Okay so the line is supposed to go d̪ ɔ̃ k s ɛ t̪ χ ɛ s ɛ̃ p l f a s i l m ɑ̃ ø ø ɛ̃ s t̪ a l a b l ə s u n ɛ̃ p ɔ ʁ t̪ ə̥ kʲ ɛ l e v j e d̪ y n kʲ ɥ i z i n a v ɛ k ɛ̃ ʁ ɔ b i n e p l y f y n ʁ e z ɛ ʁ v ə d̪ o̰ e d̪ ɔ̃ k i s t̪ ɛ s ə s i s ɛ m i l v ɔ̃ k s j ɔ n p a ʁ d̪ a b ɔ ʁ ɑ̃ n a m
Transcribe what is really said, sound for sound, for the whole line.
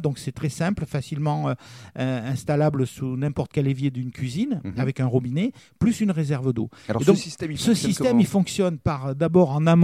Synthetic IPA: d̪ ɔ̃ k s ɛ t̪ χ ɛ s ɛ̃ p l f a s i l m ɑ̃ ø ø ɛ̃ s t̪ a l a b l ə s u n ɛ̃ p ɔ ʁ t̪ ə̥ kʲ ɛ l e v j e d̪ y n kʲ ɥ i z i n a v ɛ k ɛ̃ ʁ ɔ b i n e p l y s y n ʁ e z ɛ ʁ v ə d̪ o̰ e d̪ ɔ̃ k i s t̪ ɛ s ə s i s ɛ m i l f ɔ̃ k s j ɔ n p a ʁ d̪ a b ɔ ʁ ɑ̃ n a m